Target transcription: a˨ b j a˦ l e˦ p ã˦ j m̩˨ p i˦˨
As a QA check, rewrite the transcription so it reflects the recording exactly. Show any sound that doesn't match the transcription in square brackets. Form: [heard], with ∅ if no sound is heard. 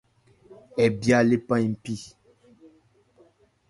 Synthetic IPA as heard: [ɛ˨] b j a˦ l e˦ p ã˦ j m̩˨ p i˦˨